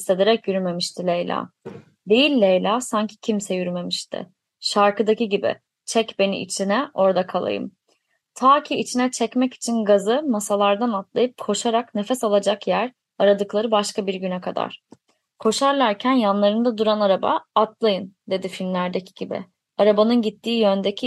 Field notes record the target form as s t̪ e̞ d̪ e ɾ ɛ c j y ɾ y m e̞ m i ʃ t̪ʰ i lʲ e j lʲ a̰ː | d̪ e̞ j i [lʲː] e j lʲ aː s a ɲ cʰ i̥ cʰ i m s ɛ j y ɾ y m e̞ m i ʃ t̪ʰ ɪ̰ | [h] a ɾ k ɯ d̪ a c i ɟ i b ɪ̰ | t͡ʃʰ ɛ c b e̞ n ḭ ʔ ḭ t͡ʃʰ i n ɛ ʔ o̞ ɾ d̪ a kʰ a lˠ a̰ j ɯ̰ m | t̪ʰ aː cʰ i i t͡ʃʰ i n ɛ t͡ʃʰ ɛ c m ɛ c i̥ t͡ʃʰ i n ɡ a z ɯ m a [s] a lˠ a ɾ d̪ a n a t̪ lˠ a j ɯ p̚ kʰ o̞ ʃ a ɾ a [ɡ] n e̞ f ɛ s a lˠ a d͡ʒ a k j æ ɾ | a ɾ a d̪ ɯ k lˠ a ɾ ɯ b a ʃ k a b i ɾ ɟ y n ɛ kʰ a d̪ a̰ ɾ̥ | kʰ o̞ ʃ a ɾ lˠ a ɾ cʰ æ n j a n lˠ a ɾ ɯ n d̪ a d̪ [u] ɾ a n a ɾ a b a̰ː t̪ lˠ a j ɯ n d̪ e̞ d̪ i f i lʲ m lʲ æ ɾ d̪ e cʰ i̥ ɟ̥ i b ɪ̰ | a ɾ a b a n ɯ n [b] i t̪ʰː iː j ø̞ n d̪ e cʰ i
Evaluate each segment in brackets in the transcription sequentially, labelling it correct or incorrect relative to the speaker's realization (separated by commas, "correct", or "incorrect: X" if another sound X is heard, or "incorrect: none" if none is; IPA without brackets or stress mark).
correct, incorrect: ʃ, correct, incorrect: k, correct, incorrect: ɟ